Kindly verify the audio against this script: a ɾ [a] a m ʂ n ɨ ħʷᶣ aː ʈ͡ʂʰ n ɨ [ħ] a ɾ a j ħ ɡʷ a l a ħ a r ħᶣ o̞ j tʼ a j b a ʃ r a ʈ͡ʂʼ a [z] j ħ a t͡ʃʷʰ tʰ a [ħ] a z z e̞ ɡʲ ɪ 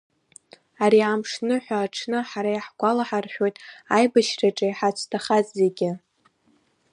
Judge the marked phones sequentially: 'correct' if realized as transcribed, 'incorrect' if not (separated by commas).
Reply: incorrect, correct, incorrect, incorrect